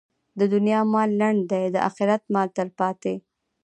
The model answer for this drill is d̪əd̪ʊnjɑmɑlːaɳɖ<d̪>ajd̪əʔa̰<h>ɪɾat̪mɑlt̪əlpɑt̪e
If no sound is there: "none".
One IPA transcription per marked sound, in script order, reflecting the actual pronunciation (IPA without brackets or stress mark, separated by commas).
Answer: d̪, x